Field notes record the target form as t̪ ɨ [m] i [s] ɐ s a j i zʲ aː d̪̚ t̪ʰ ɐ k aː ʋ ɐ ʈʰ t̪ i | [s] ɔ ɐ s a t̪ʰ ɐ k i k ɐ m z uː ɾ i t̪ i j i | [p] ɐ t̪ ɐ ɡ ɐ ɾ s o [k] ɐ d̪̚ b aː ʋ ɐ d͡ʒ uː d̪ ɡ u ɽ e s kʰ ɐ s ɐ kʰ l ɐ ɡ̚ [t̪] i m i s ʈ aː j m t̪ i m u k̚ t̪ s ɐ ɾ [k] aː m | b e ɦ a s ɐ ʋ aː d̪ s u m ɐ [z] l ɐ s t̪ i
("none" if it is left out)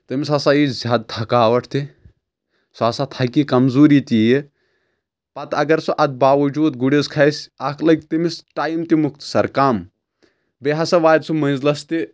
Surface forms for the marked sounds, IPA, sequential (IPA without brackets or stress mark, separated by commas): m, s, s, p, ʔ, t̪, k, z